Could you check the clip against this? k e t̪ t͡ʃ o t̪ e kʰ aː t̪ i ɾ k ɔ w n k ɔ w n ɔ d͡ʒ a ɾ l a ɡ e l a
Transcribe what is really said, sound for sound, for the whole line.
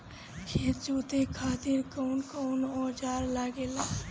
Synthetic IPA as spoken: kʰ e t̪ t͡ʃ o t̪ e kʰ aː t̪ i ɾ k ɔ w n k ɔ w n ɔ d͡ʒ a ɾ l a ɡ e l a